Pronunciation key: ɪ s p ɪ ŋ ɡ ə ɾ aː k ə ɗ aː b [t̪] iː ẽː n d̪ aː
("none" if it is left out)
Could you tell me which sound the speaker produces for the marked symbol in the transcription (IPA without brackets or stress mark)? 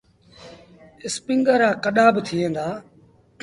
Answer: t̪ʰ